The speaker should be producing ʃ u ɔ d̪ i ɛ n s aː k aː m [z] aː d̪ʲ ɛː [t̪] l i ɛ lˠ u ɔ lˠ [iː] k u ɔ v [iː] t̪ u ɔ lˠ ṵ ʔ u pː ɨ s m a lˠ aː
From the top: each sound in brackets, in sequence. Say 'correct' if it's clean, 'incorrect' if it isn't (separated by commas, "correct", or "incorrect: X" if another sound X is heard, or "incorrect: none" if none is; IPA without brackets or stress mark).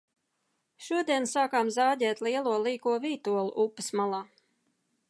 correct, correct, correct, correct